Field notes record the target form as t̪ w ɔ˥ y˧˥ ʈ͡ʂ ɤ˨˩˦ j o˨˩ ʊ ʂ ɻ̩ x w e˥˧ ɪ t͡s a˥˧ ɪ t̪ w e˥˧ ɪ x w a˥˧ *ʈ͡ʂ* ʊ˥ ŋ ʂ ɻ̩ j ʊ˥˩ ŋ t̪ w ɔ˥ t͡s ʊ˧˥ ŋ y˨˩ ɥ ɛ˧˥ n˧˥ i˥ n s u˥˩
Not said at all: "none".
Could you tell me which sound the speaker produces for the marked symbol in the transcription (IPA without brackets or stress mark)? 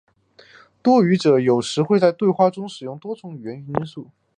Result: ʈ͡ʂ